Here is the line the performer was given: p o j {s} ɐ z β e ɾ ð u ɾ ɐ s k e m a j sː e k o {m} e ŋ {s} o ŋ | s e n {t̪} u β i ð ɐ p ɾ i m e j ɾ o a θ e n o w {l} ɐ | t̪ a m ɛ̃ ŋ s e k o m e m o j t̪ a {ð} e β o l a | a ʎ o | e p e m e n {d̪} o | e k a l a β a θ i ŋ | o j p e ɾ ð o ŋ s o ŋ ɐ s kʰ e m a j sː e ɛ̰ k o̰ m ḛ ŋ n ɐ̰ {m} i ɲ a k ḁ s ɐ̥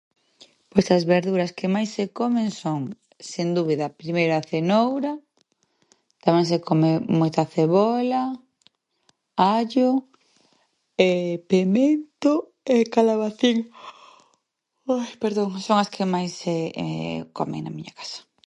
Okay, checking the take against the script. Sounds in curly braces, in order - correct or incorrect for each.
correct, correct, correct, incorrect, incorrect, incorrect, incorrect, correct

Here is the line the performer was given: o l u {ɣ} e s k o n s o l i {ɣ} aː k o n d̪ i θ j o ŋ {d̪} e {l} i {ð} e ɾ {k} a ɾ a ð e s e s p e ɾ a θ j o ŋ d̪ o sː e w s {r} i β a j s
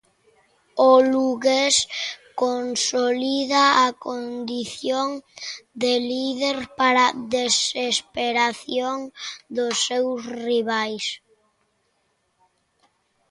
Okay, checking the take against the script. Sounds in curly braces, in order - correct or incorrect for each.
correct, incorrect, correct, correct, correct, incorrect, correct

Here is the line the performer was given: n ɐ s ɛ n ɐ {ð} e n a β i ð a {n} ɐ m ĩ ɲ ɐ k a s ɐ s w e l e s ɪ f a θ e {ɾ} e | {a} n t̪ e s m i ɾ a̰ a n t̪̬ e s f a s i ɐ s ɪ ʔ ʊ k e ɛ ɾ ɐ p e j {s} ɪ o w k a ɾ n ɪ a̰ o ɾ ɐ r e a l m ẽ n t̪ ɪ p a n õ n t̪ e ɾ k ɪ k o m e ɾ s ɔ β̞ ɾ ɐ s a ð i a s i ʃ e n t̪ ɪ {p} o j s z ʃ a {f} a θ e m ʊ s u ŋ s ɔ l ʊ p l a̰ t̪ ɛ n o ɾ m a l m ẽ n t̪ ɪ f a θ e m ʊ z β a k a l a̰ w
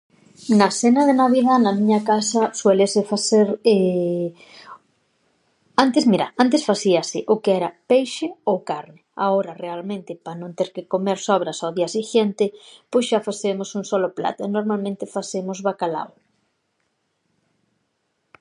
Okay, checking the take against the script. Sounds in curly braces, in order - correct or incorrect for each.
correct, correct, correct, correct, incorrect, correct, correct

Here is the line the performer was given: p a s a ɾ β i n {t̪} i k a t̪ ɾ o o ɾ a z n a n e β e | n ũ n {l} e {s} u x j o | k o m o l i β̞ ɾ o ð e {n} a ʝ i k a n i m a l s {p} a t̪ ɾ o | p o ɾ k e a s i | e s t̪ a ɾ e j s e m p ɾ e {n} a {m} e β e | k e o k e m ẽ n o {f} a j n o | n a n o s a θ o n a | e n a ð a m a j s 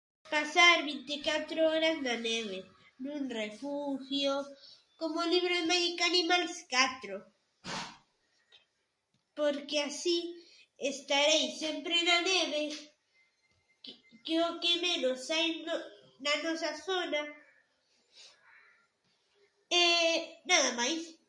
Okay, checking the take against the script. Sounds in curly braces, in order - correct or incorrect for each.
correct, incorrect, incorrect, incorrect, incorrect, correct, incorrect, incorrect

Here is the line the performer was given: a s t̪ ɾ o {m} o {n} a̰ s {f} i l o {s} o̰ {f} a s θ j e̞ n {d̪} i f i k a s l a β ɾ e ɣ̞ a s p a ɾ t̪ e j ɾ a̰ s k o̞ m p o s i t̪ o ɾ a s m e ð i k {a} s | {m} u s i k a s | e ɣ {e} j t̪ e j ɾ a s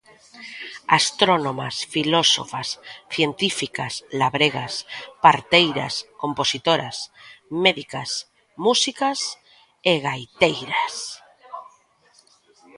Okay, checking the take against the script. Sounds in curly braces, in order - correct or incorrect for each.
incorrect, incorrect, correct, correct, correct, incorrect, correct, correct, incorrect

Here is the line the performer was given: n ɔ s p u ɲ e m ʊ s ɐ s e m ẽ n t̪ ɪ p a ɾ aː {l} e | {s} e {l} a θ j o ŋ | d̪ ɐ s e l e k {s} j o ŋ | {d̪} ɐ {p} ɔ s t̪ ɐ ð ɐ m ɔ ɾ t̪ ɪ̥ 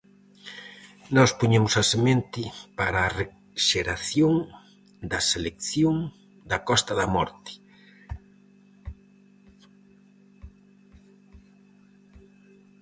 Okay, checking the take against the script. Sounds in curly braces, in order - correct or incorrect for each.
incorrect, incorrect, incorrect, incorrect, correct, incorrect

